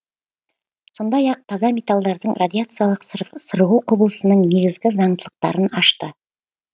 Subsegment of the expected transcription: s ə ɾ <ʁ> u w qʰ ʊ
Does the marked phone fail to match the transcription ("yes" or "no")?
no